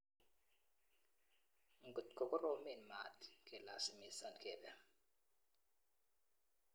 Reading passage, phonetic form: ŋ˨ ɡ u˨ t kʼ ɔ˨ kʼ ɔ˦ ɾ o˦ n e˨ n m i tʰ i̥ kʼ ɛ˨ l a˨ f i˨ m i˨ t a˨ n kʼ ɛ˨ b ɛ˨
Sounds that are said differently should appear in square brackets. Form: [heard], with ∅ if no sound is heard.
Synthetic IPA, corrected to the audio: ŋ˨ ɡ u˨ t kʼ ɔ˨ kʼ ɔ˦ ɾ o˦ [m] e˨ n m [a] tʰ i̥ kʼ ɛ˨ l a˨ [s] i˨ m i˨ [s] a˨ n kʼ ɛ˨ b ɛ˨

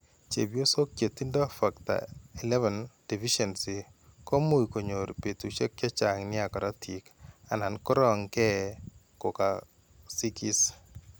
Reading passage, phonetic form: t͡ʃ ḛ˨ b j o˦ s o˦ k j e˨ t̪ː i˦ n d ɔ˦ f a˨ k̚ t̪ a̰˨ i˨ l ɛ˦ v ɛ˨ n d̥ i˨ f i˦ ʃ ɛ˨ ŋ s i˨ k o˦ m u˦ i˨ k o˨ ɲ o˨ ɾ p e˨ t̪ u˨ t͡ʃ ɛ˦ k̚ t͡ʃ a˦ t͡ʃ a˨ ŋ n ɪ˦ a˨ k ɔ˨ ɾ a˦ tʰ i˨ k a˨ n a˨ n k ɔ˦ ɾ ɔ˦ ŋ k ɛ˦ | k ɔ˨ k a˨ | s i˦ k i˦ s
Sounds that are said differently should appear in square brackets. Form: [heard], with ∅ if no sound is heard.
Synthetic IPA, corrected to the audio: t͡ʃ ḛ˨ b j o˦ s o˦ k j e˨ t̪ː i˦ n d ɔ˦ f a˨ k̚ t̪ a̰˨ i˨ l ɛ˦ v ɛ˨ n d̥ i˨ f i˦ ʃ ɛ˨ [n] s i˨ k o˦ m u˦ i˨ k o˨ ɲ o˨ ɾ p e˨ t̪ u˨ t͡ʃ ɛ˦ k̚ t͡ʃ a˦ t͡ʃ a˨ ŋ n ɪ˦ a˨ k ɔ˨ ɾ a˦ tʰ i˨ k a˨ n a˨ n k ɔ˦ ɾ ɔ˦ ŋ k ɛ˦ | k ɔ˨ k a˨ | s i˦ k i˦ s

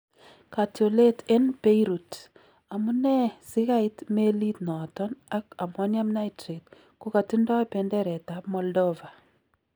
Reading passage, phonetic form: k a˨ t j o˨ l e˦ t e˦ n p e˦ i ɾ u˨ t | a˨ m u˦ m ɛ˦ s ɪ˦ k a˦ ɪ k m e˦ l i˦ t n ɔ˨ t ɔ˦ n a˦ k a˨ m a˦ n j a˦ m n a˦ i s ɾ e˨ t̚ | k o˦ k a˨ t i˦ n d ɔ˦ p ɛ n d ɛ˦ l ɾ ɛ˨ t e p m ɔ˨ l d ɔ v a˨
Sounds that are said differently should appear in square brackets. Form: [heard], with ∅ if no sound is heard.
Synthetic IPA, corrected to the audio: k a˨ t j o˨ l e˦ t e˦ n p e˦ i ɾ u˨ t | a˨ m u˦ [n] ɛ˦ s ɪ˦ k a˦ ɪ [t] m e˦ l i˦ t n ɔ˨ t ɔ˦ n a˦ k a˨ m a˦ n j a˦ m n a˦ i [t] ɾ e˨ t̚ | k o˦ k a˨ t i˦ n d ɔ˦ p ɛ n d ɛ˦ [∅] ɾ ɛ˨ t [a] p m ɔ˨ l d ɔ v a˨

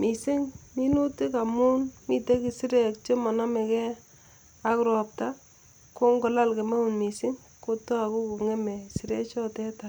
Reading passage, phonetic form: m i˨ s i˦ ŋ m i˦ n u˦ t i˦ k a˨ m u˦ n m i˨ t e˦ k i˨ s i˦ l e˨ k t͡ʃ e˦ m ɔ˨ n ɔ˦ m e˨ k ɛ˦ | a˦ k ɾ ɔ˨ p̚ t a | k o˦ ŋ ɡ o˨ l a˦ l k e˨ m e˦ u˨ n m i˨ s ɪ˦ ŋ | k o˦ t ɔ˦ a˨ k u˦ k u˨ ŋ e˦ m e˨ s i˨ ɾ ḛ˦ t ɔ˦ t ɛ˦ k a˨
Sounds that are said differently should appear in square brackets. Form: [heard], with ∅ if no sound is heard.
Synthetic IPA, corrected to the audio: m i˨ s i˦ ŋ m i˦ n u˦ t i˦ k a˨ m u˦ n m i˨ t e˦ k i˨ s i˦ [ɾ] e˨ k t͡ʃ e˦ m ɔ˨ n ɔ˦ m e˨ k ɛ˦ | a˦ k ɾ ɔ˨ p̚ t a | k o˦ ŋ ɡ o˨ l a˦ l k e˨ m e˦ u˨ n m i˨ s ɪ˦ ŋ | k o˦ t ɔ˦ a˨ k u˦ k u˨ ŋ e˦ m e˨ s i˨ ɾ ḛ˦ [t͡ʃ] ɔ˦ t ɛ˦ [t] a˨

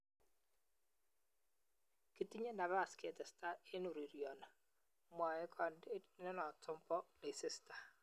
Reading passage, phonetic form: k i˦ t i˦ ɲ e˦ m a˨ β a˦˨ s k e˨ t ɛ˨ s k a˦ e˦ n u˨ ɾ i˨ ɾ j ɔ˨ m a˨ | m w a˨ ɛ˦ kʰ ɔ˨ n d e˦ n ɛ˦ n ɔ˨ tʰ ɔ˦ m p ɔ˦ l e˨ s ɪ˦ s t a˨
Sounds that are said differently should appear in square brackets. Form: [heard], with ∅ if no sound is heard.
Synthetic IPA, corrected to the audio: k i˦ t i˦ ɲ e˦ [n] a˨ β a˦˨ s k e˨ t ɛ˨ s [t] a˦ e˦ n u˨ ɾ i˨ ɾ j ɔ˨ [n] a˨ | m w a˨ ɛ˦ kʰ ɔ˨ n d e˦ n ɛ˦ n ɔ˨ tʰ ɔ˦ m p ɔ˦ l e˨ s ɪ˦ s t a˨

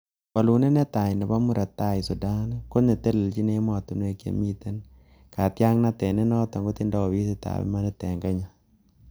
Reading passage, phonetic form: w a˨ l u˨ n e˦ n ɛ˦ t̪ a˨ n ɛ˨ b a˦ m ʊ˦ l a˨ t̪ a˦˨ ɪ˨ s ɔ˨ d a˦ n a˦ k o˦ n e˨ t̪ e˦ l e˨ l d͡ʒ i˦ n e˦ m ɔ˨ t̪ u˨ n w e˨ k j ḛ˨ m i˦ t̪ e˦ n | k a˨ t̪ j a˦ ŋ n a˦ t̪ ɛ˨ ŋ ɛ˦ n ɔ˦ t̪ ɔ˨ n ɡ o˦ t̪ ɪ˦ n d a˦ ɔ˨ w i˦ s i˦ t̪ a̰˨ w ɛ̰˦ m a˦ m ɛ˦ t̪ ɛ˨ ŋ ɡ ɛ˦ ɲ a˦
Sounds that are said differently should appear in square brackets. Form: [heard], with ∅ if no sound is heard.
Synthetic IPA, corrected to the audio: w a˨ l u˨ n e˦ n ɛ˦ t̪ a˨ n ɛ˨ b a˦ m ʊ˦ [ɾ] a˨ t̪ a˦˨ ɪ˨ s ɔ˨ d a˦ n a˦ k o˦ n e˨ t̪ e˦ l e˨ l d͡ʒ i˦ n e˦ m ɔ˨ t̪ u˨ n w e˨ k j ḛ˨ m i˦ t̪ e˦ n | k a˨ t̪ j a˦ ŋ n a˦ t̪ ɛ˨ [n] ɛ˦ n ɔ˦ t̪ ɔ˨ [ŋ] ɡ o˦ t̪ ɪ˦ n d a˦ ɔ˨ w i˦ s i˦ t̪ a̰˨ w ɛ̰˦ m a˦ [n] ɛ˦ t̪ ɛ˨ ŋ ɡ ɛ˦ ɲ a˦

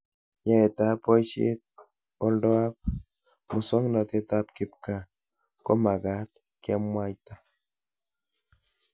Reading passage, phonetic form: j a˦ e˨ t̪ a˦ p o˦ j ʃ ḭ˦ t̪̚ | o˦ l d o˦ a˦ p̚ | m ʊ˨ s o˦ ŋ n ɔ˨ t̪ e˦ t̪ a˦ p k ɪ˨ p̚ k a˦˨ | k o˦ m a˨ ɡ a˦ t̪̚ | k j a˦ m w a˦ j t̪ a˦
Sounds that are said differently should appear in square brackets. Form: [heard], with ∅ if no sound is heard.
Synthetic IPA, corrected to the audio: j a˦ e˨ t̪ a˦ p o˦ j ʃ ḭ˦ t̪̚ | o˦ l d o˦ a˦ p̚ | m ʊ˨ s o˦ ŋ n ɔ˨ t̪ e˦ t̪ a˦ p k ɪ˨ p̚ k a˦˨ | k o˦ m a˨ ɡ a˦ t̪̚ | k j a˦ m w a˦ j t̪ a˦

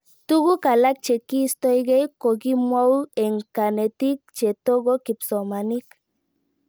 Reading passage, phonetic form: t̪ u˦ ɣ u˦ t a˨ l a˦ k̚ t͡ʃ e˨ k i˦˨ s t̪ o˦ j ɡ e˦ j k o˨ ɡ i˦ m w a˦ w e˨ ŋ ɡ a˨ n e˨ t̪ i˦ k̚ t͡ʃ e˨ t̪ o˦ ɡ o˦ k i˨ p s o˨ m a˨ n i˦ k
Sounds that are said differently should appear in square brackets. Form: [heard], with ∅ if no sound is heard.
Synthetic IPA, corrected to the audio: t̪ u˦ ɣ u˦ [k] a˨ l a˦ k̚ t͡ʃ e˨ k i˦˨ s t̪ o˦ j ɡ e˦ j k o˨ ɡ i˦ m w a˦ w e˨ ŋ [k] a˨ n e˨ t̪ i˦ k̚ t͡ʃ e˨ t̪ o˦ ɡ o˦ k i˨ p s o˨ m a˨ n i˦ k

